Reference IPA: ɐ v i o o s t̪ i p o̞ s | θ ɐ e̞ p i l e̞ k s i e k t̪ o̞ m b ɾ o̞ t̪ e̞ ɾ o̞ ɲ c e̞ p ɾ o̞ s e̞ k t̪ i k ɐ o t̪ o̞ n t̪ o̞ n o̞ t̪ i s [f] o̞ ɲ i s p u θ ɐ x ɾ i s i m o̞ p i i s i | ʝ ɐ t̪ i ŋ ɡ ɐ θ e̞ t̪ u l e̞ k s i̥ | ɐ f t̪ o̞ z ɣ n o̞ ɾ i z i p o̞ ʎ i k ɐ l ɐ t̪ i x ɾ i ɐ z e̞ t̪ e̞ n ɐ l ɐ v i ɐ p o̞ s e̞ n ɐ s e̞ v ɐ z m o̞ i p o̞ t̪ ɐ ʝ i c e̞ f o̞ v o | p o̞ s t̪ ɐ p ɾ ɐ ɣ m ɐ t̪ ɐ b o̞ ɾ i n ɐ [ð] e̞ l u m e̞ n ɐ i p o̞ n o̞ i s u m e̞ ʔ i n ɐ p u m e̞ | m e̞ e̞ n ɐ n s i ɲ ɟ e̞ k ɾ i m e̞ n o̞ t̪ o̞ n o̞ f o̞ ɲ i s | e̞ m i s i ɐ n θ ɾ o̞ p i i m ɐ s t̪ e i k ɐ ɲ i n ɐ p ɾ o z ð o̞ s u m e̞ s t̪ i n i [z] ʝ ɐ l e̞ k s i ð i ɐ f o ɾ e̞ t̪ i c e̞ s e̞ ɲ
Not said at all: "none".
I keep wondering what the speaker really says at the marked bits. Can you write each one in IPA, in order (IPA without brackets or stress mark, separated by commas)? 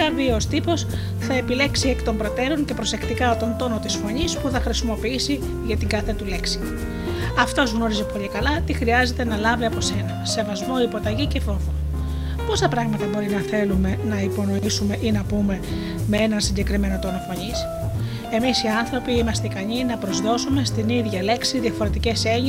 f, θ, ð